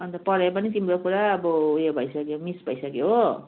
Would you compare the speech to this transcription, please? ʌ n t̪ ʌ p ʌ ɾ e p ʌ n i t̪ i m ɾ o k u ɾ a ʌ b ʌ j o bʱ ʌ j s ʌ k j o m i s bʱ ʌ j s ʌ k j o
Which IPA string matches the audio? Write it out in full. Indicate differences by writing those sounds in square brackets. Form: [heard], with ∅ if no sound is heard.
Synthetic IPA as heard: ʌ n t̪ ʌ p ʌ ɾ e p ʌ n i t̪ i m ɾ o k u ɾ a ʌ b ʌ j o bʱ ʌ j s ʌ k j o m i s bʱ ʌ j s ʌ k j o